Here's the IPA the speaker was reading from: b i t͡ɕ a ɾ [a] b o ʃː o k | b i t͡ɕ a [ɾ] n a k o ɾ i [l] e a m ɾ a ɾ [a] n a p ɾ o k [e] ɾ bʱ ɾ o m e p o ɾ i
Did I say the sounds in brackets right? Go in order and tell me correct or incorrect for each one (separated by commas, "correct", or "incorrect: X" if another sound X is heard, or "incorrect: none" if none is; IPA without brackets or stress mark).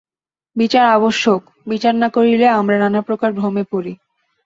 correct, correct, correct, correct, incorrect: a